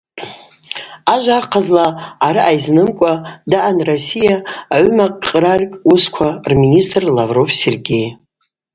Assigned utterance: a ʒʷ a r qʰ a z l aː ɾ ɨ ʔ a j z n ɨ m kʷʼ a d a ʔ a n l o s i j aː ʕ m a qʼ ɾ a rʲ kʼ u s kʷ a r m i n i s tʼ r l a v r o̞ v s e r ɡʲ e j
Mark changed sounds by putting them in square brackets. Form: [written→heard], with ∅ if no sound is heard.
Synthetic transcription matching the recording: a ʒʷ a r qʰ a z l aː ɾ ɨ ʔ a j z n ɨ m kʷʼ a d a ʔ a n [l→r] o s i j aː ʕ m a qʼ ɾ a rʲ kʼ u s [kʷ→kʷʰ] a r m i n i s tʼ r l a v r o̞ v s e r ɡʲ e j